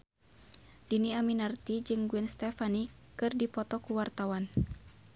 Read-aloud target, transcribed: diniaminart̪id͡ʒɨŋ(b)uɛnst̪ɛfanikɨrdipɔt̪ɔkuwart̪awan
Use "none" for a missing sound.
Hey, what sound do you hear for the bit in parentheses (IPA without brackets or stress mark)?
ɡ